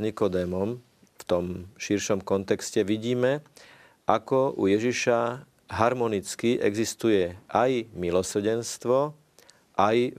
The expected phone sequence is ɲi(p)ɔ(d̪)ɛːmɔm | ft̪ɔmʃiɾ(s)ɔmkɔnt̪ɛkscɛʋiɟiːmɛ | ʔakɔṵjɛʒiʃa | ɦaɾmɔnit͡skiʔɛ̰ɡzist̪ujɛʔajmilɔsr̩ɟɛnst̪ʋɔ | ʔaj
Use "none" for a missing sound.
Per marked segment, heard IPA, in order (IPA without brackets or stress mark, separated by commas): k, d̪, ʃ